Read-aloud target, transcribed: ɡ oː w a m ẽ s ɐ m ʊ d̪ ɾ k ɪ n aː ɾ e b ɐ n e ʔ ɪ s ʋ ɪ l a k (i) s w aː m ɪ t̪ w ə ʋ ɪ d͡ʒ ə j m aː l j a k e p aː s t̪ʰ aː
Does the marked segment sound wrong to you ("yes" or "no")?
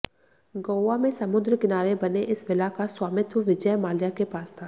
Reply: yes